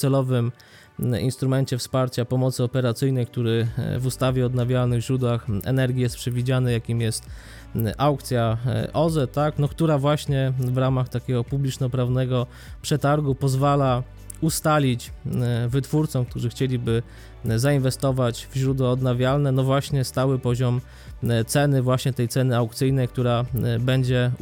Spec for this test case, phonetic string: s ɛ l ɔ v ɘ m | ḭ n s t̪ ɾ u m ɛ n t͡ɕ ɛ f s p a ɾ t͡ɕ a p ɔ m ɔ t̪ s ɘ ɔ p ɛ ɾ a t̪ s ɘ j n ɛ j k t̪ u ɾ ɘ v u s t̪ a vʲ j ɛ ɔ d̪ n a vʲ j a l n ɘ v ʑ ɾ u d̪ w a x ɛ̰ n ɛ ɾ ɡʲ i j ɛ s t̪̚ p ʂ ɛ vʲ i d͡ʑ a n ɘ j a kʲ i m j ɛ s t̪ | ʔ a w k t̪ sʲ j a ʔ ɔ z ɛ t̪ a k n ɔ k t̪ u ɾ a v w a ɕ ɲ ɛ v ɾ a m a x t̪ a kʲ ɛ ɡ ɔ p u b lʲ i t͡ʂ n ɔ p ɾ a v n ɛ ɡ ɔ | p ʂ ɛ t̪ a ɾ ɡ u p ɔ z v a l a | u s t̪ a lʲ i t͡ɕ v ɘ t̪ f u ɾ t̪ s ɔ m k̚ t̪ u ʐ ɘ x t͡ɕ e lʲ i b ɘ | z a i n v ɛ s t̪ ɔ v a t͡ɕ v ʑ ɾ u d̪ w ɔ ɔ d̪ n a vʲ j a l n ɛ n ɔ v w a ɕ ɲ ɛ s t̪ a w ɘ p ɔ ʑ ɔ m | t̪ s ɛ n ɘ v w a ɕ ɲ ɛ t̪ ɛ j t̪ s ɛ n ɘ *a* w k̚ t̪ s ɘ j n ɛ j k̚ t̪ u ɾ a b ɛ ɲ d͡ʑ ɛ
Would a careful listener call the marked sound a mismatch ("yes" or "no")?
no